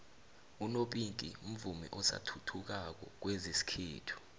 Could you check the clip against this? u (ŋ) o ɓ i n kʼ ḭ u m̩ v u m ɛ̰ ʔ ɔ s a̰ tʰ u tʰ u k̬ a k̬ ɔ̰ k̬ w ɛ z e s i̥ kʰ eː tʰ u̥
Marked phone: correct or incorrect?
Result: incorrect